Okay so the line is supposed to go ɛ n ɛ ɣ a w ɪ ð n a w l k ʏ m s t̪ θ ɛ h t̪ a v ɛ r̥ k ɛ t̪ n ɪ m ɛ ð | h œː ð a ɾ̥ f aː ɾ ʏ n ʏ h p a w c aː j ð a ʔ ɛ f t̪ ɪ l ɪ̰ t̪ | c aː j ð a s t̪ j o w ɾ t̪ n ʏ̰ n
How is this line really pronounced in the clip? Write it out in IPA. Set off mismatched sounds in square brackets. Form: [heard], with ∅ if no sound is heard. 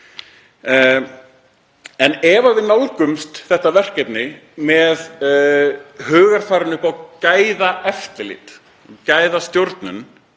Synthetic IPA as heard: ɛ n ɛ [v] a [v] ɪ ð n a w l k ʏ m s t̪ θ ɛ h t̪ a v ɛ r̥ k ɛ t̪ n ɪ m ɛ ð | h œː [ɣ] a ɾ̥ f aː ɾ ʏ n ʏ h p a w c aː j ð a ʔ ɛ f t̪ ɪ l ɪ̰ t̪ | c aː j ð a s t̪ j o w ɾ t̪ n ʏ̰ n